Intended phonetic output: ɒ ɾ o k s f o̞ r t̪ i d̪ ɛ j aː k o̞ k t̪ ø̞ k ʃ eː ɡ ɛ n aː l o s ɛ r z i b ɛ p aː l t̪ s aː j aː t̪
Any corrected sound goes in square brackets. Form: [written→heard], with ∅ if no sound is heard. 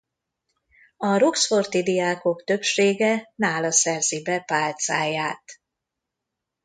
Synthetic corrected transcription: ɒ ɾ o k s f o̞ r t̪ i d̪ [ɛ→i] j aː k o̞ k t̪ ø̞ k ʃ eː ɡ ɛ n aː l [o→ɒ] s ɛ r z i b ɛ p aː l t̪ s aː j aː t̪